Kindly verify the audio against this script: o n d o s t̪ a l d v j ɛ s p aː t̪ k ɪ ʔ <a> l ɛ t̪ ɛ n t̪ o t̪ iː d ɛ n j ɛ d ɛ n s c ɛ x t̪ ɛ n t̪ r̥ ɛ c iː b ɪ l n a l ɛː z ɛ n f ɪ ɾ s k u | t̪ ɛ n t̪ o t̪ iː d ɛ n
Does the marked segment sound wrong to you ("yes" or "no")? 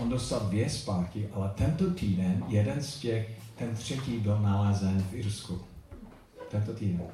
no